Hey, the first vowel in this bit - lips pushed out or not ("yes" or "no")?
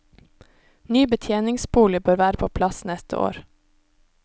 yes